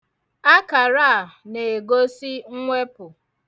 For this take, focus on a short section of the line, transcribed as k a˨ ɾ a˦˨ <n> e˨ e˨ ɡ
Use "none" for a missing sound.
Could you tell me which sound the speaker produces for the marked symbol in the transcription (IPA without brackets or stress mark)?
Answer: n